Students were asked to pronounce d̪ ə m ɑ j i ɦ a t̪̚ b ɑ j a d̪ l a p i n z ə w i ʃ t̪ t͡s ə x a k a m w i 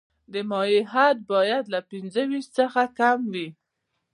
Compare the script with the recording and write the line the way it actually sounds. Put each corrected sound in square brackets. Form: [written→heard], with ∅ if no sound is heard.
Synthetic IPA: d̪ ə m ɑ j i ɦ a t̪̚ b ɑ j a d̪ l a p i n z ə w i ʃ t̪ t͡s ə x a k a m w i

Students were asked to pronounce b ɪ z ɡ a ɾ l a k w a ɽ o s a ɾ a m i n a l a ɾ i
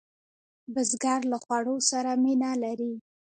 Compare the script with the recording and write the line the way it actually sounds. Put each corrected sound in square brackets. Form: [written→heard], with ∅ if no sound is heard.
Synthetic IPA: b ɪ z ɡ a ɾ l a [k→x] w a ɽ o s a ɾ a m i n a l a ɾ i

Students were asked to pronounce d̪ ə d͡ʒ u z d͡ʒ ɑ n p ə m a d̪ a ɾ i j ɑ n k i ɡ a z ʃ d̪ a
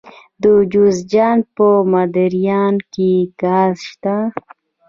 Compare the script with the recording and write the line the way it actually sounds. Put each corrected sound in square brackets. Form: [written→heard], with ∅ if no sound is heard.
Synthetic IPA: d̪ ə d͡ʒ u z d͡ʒ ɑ n p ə m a d̪ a ɾ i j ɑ n k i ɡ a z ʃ [d̪→t̪] a

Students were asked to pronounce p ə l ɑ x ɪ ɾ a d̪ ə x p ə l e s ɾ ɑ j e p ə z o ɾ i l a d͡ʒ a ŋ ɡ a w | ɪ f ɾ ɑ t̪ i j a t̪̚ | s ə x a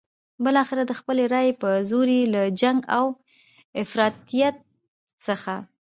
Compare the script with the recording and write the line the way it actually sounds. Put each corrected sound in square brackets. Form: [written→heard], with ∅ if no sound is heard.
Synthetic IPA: [p→b] ə l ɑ x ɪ ɾ a d̪ ə x p ə l e [s→∅] ɾ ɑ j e p ə z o ɾ i l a d͡ʒ a ŋ ɡ a w | ɪ f ɾ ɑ t̪ i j a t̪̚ | s ə x a

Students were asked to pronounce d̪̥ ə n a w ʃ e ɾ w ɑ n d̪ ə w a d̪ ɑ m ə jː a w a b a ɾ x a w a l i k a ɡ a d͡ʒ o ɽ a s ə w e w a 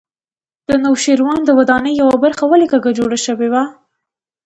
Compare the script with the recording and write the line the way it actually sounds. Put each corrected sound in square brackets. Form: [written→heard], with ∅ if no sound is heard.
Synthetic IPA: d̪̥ ə n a w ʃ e ɾ w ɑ n d̪ ə w a d̪ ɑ [m→n] ə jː a w a b a ɾ x a w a l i k a ɡ a d͡ʒ o ɽ a [s→ʃ] ə w e w a

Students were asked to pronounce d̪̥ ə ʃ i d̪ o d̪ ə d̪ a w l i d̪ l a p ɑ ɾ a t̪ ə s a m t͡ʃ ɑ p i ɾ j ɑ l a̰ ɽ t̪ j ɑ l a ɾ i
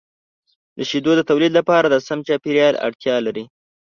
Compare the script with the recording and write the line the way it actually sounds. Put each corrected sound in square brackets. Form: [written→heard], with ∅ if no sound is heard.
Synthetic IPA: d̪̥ ə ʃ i d̪ o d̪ ə [d̪→t̪] a w l i d̪ l a p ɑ ɾ a [t̪→d̪] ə s a m t͡ʃ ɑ p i ɾ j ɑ l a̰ ɽ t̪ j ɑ l a ɾ i

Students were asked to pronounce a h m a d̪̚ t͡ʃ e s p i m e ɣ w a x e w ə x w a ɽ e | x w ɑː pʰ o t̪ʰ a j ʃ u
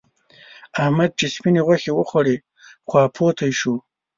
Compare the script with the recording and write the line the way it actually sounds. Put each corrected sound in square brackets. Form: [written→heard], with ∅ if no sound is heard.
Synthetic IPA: a h m a d̪̚ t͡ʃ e s p i [m→n] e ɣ w a x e w ə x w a ɽ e | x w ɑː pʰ o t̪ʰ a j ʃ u

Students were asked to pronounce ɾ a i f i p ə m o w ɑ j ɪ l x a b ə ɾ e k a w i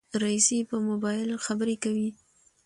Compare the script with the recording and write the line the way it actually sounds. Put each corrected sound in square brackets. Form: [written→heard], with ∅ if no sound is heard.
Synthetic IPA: ɾ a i [f→s] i p ə m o [w→b] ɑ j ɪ l x a b ə ɾ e k a w i

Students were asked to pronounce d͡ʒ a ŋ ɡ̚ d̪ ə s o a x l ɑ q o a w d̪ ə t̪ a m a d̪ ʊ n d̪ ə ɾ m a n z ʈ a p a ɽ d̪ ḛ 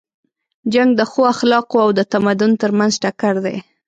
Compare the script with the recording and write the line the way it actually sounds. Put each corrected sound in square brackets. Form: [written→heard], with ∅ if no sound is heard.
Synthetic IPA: d͡ʒ a ŋ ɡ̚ d̪ ə [s→x] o a x l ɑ q o a w d̪ ə t̪ a m a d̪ ʊ n [d̪→t̪] ə ɾ m a n z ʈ a [p→k] a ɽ d̪ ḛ

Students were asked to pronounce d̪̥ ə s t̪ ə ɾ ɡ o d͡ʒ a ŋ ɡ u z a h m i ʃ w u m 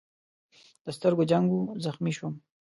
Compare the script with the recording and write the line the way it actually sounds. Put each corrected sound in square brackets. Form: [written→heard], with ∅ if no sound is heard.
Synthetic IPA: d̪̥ ə s t̪ ə ɾ ɡ o d͡ʒ a ŋ ɡ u z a [h→x] m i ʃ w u m

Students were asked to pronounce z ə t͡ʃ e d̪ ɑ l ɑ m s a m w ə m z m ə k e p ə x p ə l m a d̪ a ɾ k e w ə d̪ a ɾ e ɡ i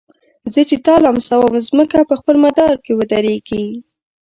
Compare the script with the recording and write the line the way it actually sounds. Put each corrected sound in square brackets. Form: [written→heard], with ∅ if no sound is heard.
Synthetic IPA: z ə t͡ʃ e [d̪→t̪] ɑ l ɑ m s a [m→∅] w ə m z m ə k [e→a] p ə x p ə l m a d̪ [a→ɑ] ɾ k e w ə d̪ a ɾ e ɡ i

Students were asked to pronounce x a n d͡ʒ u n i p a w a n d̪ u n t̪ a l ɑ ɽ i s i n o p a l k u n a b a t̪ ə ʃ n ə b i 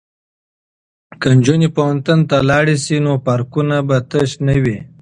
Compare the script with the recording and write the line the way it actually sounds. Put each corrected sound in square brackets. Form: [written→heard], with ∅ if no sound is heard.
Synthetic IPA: [x→k] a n d͡ʒ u n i p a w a n [d̪→t̪] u n t̪ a l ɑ ɽ i s i n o p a [l→ɾ] k u n a b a t̪ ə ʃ n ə [b→w] i

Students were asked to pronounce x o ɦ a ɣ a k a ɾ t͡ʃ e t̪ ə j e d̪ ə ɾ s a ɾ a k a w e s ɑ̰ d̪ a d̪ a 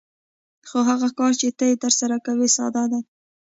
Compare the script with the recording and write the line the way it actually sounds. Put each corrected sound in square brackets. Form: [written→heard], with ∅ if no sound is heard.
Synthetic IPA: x o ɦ a ɣ a k [a→ɑ] ɾ t͡ʃ e t̪ ə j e [d̪→t̪] ə ɾ s a ɾ a k a w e s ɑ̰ d̪ a d̪ a

